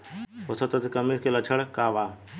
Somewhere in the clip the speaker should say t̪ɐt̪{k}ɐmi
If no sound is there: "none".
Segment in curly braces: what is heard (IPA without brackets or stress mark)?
k